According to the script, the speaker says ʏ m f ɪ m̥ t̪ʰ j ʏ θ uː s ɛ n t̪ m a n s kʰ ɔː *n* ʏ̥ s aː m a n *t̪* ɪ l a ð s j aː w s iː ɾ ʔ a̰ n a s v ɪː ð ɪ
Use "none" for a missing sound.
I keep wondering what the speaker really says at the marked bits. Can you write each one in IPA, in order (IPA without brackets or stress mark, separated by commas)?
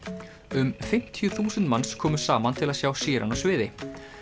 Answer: m, t̪ʰ